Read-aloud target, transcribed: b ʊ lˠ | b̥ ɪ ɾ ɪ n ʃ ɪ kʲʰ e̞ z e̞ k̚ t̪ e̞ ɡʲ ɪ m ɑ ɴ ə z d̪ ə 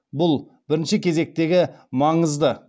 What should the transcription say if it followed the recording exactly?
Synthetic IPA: b ʊ lˠ | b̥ ɪ ɾ ɪ n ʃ ɪ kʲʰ e̞ z e̞ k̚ t̪ e̞ ɡʲ ɪ m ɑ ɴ ə z d̪ ə